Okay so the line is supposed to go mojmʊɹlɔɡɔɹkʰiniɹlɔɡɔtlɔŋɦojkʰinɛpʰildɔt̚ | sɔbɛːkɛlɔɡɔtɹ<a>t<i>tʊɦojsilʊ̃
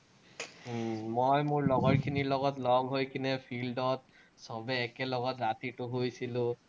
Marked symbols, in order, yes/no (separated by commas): yes, yes